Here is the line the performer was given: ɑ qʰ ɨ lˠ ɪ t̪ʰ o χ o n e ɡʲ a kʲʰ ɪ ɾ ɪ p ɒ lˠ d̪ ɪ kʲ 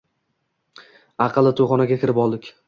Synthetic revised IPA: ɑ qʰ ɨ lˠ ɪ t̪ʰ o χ ɒ n a ɡʲ a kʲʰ ɪ ɾ ɪ p ɒ lˠ d̪ ɪ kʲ